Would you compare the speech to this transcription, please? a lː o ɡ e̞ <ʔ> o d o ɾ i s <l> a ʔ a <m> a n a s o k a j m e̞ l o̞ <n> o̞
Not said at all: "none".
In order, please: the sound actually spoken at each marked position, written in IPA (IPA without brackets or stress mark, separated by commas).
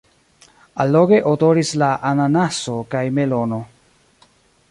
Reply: ʔ, l, n, n